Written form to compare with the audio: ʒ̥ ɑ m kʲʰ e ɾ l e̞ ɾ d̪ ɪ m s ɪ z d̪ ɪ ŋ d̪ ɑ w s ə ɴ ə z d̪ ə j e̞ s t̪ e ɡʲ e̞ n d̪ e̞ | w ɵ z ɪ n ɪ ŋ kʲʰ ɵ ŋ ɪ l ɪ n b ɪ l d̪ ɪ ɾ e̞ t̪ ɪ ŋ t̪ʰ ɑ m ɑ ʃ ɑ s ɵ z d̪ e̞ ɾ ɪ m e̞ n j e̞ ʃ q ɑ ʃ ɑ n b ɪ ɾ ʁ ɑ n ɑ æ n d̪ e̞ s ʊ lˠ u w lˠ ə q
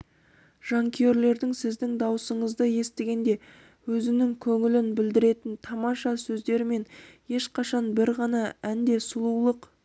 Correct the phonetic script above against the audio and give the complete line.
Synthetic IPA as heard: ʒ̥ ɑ ŋ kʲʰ e ɾ l e̞ ɾ d̪ ɪ ŋ s ɪ z d̪ ɪ ŋ d̪ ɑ w s ə ɴ ə z d̪ ə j e̞ s t̪ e ɡʲ e̞ n d̪ e̞ | w ɵ z ɪ n ɪ ŋ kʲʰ ɵ ŋ ɪ l ɪ n b ɪ l d̪ ɪ ɾ e̞ t̪ ɪ n t̪ʰ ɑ m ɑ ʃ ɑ s ɵ z d̪ e̞ ɾ ɪ m e̞ n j e̞ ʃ q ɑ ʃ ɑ n b ɪ ɾ ʁ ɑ n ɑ æ n d̪ e̞ s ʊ lˠ u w lˠ ə q

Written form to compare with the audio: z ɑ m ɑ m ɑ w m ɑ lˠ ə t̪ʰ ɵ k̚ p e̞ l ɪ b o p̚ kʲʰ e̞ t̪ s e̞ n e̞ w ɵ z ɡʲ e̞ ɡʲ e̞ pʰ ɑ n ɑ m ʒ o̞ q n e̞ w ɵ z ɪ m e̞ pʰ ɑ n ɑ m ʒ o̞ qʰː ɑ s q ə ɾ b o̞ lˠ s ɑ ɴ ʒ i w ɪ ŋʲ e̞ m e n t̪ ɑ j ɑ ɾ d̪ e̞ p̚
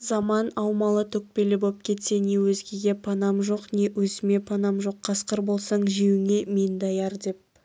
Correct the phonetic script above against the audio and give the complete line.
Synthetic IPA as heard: z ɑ m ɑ n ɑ w m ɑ lˠ ə t̪ʰ ɵ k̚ p e̞ l ɪ b o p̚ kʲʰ e̞ t̪ s e̞ n e̞ w ɵ z ɡʲ e̞ ɡʲ e̞ pʰ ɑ n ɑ m ʒ o̞ q n e̞ w ɵ z ɪ m e̞ pʰ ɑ n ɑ m ʒ o̞ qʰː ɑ s q ə ɾ b o̞ lˠ s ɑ ɴ ʒ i w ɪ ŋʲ e̞ m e n d̪ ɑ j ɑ ɾ d̪ e̞ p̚

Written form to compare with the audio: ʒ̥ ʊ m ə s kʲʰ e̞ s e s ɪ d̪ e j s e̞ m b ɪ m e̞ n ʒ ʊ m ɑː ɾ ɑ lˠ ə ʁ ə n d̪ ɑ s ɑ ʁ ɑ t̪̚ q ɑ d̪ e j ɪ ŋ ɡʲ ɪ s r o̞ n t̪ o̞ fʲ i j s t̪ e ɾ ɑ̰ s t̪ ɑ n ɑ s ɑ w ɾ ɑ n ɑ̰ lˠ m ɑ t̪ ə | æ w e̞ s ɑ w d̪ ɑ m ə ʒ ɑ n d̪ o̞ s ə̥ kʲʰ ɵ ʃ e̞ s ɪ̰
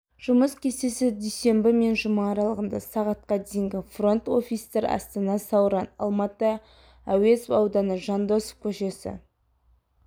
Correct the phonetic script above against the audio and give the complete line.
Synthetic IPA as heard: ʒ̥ ʊ m ə s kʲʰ e̞ s e s ɪ d̪ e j s e̞ m b ɪ m e̞ n ʒ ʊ m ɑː ɾ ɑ lˠ ə ʁ ə n d̪ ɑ s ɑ ʁ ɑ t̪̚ q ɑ d̪ e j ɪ ŋ ɡʲ ɪ f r o̞ n t̪ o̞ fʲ i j s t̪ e ɾ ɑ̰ s t̪ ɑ n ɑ s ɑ w ɾ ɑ n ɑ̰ lˠ m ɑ t̪ ə | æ w e̞ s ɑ w d̪ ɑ n ə ʒ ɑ n d̪ o̞ s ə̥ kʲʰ ɵ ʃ e̞ s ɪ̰

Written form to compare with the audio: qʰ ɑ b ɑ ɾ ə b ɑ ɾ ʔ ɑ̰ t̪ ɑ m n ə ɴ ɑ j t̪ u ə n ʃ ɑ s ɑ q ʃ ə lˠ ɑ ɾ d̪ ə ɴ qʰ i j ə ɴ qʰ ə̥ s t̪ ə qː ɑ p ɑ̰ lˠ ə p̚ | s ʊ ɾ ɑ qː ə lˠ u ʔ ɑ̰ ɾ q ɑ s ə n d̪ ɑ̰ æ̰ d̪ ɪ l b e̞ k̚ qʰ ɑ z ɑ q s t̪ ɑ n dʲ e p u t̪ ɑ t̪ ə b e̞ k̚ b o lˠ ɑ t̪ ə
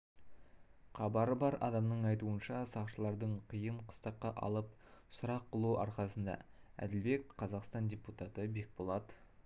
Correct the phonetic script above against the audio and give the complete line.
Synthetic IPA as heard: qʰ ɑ b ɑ ɾ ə b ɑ ɾ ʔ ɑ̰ d̪ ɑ m n ə ɴ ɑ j t̪ u ə n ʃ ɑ s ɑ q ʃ ə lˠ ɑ ɾ d̪ ə ɴ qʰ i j ə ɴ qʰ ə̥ s t̪ ɑ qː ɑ ʔ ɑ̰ lˠ ə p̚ | s ʊ ɾ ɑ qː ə lˠ u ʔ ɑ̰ ɾ q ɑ s ə n d̪ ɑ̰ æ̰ d̪ ɪ l b e̞ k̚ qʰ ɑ z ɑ q s t̪ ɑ n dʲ e p u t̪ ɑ t̪ ə b e̞ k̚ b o lˠ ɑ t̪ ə

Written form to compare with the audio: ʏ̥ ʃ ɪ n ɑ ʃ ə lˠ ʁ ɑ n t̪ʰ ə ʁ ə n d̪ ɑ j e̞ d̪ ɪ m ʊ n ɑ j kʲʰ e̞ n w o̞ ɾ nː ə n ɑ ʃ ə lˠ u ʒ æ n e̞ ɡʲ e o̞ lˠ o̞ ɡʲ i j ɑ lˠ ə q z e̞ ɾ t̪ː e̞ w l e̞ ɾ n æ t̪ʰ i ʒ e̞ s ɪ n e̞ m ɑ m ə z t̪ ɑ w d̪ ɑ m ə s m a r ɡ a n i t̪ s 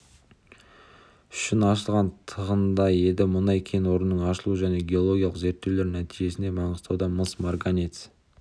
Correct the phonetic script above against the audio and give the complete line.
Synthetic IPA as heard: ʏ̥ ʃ ɪ n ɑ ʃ ə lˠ ʁ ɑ n t̪ʰ ə ʁ ə n d̪ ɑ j e̞ d̪ ɪ m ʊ n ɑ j kʲʰ e̞ n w o̞ ɾ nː ə ɴ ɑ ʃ ə lˠ u ʒ æ n e̞ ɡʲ e o̞ lˠ o̞ ɡʲ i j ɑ lˠ ə q z e̞ ɾ t̪ː e̞ w l e̞ ɾ n æ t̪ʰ i ʒ e̞ s ɪ n e̞ m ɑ ɴ ə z t̪ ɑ w d̪ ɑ m ə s m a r ɡ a n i t̪ s

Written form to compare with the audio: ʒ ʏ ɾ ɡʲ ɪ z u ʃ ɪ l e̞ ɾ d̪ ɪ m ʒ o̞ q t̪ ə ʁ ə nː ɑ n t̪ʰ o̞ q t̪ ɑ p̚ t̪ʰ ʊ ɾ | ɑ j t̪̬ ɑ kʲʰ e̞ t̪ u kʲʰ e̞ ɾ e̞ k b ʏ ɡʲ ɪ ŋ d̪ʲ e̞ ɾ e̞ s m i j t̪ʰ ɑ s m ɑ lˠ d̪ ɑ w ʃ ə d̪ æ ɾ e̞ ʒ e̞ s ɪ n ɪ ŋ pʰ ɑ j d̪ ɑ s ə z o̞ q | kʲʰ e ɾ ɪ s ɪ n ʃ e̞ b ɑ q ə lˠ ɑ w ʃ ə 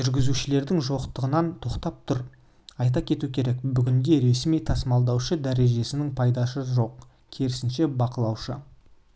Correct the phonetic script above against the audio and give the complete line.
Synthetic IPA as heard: ʒ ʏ ɾ ɡʲ ɪ z u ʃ ɪ l e̞ ɾ d̪ ɪ ŋ ʒ o̞ q t̪ ə ʁ ə n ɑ n t̪ʰ o̞ q t̪ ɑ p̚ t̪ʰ ʊ ɾ | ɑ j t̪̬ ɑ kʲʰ e̞ t̪ u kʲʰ e̞ ɾ e̞ k b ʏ ɡʲ ɪ ŋ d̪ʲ e̞ ɾ e̞ s m i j t̪ʰ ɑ s m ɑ lˠ d̪ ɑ w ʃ ə d̪ æ ɾ e̞ ʒ e̞ s ɪ n ɪ ŋ pʰ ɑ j d̪ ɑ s ə ʒ o̞ q | kʲʰ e ɾ ɪ s ɪ n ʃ e̞ b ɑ q ə lˠ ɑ w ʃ ə

